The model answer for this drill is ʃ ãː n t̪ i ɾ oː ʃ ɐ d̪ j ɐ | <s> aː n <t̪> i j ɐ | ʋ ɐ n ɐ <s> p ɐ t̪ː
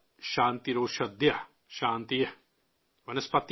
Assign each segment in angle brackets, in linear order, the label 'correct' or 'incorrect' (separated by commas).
incorrect, correct, correct